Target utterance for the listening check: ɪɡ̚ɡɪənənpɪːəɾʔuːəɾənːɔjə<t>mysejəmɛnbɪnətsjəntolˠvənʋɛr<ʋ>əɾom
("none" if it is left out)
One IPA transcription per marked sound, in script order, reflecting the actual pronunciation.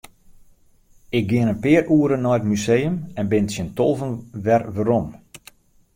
t, ʋ

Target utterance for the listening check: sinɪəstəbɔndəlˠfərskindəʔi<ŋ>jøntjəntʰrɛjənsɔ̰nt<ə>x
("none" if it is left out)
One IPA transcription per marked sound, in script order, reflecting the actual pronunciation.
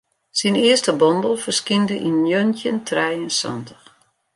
n, ə

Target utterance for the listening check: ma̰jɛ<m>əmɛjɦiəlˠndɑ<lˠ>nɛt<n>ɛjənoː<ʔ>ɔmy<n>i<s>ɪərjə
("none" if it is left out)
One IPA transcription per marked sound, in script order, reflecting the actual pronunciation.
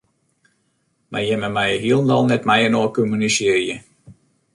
m, lˠ, m, k, n, s

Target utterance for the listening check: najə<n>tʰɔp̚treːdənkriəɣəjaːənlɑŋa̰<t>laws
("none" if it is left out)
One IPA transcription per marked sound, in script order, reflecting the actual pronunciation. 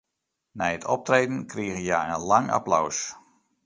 none, p

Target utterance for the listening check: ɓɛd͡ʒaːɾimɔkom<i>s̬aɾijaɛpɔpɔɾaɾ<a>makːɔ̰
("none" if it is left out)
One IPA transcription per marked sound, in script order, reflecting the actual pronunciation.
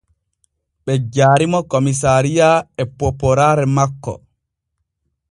i, ɛ

